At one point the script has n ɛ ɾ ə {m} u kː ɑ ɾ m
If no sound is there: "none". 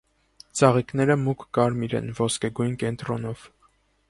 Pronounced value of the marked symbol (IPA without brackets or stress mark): m